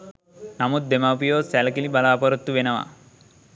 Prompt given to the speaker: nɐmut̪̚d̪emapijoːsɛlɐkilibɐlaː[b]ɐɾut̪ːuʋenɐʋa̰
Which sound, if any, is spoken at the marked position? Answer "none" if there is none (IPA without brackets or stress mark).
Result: p